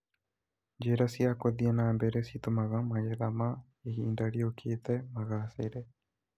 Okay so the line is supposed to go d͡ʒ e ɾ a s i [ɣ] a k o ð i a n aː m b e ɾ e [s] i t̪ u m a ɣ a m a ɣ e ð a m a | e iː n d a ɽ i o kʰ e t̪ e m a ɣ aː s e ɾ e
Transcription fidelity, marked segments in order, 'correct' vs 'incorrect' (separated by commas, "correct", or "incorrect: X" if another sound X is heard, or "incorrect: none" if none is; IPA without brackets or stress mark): incorrect: none, correct